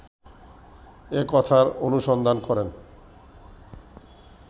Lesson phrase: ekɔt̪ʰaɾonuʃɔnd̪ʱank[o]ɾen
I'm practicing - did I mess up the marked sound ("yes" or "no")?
yes